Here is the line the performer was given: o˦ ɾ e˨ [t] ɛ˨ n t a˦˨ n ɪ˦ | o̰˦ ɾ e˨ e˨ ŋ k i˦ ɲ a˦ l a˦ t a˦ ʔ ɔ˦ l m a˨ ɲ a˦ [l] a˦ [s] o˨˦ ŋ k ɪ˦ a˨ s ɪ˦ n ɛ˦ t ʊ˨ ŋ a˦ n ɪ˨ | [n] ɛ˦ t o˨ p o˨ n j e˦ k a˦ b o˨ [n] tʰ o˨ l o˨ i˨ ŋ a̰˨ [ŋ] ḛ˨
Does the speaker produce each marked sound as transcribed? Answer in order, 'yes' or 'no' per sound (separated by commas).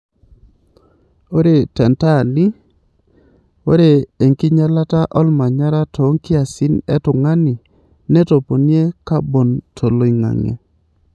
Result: yes, no, no, yes, yes, yes